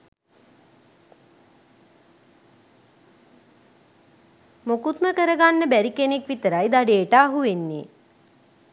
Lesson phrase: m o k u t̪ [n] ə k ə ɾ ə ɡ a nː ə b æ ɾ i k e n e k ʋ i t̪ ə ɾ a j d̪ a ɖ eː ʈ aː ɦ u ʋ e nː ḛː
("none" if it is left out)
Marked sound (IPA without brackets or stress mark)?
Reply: m